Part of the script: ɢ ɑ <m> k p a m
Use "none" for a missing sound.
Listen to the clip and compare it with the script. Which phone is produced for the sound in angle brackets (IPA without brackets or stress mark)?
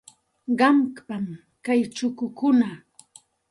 m